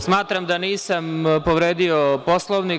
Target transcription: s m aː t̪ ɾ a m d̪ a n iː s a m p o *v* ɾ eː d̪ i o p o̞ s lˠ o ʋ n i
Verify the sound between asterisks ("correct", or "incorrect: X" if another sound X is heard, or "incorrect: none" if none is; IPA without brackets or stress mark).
incorrect: ʋ